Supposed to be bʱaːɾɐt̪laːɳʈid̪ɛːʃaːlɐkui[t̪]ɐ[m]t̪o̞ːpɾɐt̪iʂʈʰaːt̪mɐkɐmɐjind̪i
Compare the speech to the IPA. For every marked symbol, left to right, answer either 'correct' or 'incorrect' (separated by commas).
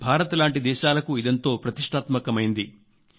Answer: incorrect, incorrect